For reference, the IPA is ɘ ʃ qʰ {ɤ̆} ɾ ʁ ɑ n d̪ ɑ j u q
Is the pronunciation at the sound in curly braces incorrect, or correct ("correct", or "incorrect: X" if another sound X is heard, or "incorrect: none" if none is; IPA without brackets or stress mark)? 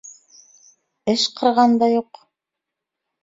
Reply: correct